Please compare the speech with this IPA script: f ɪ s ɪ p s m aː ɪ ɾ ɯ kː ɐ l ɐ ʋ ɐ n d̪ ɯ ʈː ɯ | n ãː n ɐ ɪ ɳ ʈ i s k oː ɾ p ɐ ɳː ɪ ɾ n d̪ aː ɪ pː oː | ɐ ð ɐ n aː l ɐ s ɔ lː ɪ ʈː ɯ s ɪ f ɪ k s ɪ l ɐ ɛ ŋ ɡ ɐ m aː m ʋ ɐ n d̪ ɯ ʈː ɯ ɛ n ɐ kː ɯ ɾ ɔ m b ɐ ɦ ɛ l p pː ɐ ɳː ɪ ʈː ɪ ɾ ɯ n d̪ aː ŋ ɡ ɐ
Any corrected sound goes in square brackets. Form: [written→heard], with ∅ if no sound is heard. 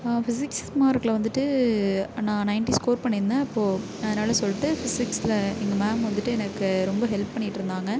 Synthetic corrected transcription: f ɪ s ɪ [p→k] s m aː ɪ ɾ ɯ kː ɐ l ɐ ʋ ɐ n d̪ ɯ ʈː ɯ | n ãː n ɐ ɪ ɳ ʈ i s k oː ɾ p ɐ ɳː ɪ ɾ n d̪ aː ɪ pː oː | ɐ ð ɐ n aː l ɐ s ɔ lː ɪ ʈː ɯ [s→f] ɪ [f→s] ɪ k s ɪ l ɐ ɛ ŋ ɡ ɐ m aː m ʋ ɐ n d̪ ɯ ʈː ɯ ɛ n ɐ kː ɯ ɾ ɔ m b ɐ ɦ ɛ l p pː ɐ ɳː ɪ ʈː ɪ ɾ ɯ n d̪ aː ŋ ɡ ɐ

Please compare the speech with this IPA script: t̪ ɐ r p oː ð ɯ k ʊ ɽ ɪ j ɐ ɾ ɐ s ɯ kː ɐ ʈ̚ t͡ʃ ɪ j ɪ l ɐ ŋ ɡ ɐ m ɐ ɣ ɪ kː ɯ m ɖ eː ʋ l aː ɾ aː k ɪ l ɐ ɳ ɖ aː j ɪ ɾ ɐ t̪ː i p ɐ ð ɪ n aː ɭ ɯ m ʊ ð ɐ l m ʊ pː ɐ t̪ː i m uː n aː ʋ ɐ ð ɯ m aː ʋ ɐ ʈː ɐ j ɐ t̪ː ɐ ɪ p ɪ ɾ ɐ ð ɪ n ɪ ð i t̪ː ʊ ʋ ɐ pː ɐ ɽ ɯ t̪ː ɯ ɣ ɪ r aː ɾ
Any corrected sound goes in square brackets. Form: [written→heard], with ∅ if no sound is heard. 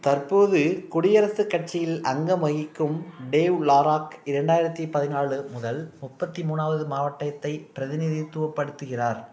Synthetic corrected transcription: t̪ ɐ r p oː ð ɯ k ʊ ɽ ɪ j ɐ ɾ ɐ s ɯ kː ɐ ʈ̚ t͡ʃ ɪ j ɪ l ɐ ŋ ɡ ɐ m ɐ ɣ ɪ kː ɯ m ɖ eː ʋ l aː ɾ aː k ɪ [l→ɾ] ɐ ɳ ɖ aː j ɪ ɾ ɐ t̪ː i p ɐ ð ɪ n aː ɭ ɯ m ʊ ð ɐ l m ʊ pː ɐ t̪ː i m uː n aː ʋ ɐ ð ɯ m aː ʋ ɐ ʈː ɐ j ɐ t̪ː ɐ ɪ p ɪ ɾ ɐ ð ɪ n ɪ ð i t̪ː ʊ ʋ ɐ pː ɐ ɽ ɯ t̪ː ɯ ɣ ɪ r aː ɾ

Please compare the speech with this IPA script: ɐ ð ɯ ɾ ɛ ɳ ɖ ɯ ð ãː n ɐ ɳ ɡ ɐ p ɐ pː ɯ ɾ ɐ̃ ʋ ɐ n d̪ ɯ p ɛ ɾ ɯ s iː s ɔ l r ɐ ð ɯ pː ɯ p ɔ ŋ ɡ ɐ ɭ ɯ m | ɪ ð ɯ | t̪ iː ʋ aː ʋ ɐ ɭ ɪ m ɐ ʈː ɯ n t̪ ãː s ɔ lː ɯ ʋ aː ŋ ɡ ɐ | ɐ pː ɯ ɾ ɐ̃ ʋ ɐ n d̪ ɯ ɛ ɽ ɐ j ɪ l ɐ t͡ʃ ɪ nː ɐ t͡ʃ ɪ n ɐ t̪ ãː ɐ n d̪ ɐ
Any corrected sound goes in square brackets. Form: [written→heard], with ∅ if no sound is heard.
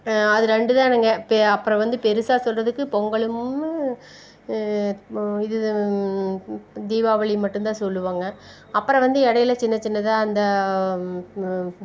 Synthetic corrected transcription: ɐ ð ɯ ɾ ɛ ɳ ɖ ɯ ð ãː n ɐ [ɳ→ŋ] ɡ ɐ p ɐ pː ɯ ɾ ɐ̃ ʋ ɐ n d̪ ɯ p ɛ ɾ ɯ s [iː→aː] s ɔ l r ɐ ð ɯ [pː→kː] ɯ p ɔ ŋ ɡ ɐ ɭ ɯ m | ɪ ð ɯ | [t̪→d̪] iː ʋ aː ʋ ɐ ɭ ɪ m ɐ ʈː ɯ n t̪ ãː s ɔ lː ɯ ʋ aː ŋ ɡ ɐ | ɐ pː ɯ ɾ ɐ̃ ʋ ɐ n d̪ ɯ ɛ ɽ ɐ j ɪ l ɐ t͡ʃ ɪ nː ɐ t͡ʃ ɪ [n→nː] ɐ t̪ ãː ɐ n d̪ ɐ

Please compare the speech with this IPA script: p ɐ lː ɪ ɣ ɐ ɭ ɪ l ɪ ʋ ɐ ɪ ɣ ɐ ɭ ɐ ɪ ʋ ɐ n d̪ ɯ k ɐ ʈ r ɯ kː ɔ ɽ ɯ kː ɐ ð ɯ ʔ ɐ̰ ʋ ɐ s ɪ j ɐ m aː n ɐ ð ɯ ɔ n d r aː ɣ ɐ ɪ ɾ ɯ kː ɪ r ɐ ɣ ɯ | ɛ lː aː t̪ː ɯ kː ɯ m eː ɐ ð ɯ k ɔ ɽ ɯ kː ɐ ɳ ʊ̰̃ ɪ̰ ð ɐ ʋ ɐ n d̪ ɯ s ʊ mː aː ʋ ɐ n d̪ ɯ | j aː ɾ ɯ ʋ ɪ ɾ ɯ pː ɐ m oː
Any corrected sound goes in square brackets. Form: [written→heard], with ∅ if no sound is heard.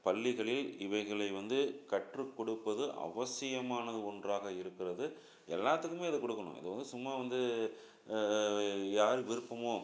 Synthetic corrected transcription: p ɐ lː ɪ ɣ ɐ ɭ ɪ l ɪ ʋ ɐ ɪ ɣ ɐ ɭ ɐ ɪ ʋ ɐ n d̪ ɯ k ɐ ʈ r ɯ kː ɔ ɽ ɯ [kː→pː] ɐ ð ɯ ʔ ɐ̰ ʋ ɐ s ɪ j ɐ m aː n ɐ ð ɯ ɔ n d r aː ɣ ɐ ɪ ɾ ɯ kː ɪ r ɐ [ɣ→ð] ɯ | ɛ lː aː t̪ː ɯ kː ɯ m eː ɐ ð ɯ k ɔ ɽ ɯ kː ɐ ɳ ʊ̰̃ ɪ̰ ð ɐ ʋ ɐ n d̪ ɯ s ʊ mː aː ʋ ɐ n d̪ ɯ | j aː ɾ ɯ ʋ ɪ ɾ ɯ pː ɐ m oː

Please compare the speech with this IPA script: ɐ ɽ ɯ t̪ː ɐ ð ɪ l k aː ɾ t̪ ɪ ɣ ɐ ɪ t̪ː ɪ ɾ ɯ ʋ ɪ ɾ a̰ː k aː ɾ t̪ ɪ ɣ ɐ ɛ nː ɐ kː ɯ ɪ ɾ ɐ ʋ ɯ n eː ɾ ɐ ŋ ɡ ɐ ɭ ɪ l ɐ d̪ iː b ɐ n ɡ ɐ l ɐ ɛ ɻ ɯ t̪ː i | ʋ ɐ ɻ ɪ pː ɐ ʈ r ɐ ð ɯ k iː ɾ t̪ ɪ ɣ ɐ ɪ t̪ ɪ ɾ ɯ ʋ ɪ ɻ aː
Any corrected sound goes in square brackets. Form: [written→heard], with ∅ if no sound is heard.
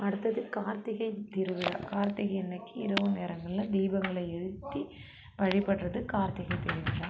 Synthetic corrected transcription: ɐ ɽ ɯ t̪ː ɐ ð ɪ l k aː ɾ t̪ ɪ ɣ ɐ ɪ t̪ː ɪ ɾ ɯ ʋ ɪ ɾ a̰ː k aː ɾ t̪ ɪ ɣ ɐ ɛ nː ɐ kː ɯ ɪ ɾ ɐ ʋ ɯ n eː ɾ ɐ ŋ ɡ ɐ ɭ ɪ l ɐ d̪ iː b ɐ [n→ŋ] ɡ ɐ [l→ɭ] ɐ ɛ ɻ ɯ t̪ː i | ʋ ɐ ɻ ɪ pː ɐ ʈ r ɐ ð ɯ k [iː→aː] ɾ t̪ ɪ ɣ ɐ ɪ t̪ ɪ ɾ ɯ ʋ ɪ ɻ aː

